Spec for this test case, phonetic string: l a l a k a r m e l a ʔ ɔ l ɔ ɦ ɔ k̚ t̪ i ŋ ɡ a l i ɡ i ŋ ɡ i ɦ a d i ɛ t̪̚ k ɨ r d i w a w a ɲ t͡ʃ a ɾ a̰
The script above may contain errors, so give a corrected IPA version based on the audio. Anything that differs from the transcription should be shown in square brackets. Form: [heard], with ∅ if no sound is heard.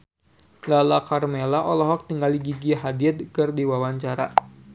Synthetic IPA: l a l a k a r m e l a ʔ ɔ l ɔ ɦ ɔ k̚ t̪ i ŋ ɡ a l i ɡ i [∅] ɡ i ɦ a d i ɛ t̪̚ k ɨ r d i w a w a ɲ t͡ʃ a ɾ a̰